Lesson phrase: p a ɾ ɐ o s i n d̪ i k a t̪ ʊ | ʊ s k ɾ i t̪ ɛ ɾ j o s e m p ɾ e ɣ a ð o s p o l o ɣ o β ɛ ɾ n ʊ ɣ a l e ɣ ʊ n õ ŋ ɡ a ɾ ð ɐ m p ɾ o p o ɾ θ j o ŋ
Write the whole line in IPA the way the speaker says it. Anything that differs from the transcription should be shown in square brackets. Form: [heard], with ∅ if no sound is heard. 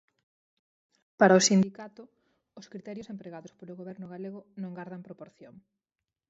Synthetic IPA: p a ɾ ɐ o s i n d̪ i k a t̪ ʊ | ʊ s k ɾ i t̪ ɛ ɾ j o s e m p ɾ e ɣ a ð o s p o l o ɣ o β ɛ ɾ n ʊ ɣ a l e ɣ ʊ n õ ŋ ɡ a ɾ ð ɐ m p ɾ o p o ɾ θ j o ŋ